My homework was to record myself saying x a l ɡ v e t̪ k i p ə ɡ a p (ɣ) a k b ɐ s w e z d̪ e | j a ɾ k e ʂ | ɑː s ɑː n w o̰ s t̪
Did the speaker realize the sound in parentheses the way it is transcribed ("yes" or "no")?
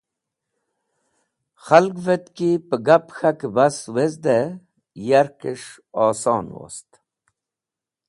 no